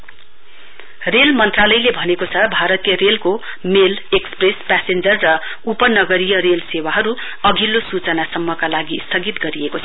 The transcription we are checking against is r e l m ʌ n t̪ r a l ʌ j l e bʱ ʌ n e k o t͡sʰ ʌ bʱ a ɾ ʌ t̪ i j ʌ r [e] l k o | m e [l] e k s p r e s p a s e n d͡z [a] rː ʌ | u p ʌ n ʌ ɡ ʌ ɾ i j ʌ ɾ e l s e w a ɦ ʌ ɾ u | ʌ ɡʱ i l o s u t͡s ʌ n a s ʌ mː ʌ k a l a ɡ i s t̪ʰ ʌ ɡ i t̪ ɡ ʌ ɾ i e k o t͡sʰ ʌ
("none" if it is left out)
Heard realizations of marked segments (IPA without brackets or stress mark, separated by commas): e, l, ʌ